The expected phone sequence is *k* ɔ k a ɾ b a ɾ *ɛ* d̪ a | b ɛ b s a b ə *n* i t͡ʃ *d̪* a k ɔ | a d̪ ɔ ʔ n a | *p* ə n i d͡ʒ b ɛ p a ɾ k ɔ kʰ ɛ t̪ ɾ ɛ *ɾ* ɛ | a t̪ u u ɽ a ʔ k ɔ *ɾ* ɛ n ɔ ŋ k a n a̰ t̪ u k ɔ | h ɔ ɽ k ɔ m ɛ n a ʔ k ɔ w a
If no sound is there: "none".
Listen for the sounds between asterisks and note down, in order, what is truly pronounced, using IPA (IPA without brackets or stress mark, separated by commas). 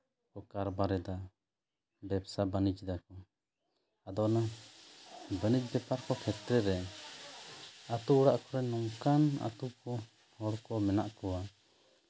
k, ɛ, n, d̪, b, ɾ, ɾ